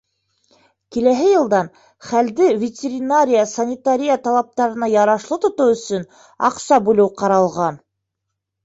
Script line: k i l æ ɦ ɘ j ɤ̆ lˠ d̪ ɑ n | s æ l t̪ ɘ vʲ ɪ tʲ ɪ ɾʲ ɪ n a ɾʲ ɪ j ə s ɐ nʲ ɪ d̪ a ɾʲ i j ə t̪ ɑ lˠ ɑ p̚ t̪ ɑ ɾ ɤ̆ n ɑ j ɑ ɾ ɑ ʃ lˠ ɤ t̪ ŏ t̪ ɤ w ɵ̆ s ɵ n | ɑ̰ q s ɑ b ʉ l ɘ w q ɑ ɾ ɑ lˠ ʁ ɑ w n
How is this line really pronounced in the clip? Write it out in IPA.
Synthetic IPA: k i l æ ɦ ɘ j ɤ̆ lˠ d̪ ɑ n | χ æ l d̪ ɘ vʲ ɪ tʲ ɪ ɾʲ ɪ n a ɾʲ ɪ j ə s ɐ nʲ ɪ t̪ a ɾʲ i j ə t̪ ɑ lˠ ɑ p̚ t̪ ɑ ɾ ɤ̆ n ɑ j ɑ ɾ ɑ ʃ lˠ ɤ t̪ ŏ t̪ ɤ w ɵ̆ s ɵ n | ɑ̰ q s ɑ b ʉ l ɘ w q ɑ ɾ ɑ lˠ ʁ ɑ n